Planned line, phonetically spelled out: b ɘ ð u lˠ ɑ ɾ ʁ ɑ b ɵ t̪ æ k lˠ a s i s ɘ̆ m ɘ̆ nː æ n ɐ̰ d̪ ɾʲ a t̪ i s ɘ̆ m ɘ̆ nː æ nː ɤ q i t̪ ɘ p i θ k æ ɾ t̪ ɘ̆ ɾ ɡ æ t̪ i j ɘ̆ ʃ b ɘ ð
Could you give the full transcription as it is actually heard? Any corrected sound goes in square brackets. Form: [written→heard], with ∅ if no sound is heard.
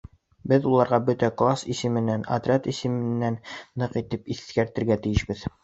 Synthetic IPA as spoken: b ɘ ð u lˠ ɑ ɾ ʁ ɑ b ɵ t̪ æ k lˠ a s i s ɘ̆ m ɘ̆ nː æ n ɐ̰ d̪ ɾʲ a t̪ i s ɘ̆ m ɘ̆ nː æ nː ɤ q i t̪ ɘ p i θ k æ ɾ t̪ ɘ̆ ɾ ɡ æ t̪ i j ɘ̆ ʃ b ɘ ð